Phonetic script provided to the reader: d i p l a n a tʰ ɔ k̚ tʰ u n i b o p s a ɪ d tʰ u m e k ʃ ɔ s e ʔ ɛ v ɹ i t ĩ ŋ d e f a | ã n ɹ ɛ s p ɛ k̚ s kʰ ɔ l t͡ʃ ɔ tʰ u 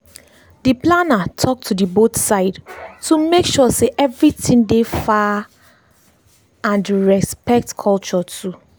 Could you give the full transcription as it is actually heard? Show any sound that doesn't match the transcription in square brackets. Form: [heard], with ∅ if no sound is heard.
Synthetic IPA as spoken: d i p l a n a tʰ ɔ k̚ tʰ u [d] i b o [t] s a ɪ d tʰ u m e k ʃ ɔ s e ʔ ɛ v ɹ i t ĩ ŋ d e f a | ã n ɹ ɛ s p ɛ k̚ [t] kʰ ɔ l t͡ʃ ɔ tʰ u